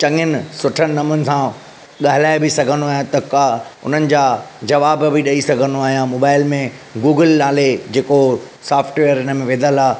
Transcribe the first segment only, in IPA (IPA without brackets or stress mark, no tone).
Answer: t͡ɕ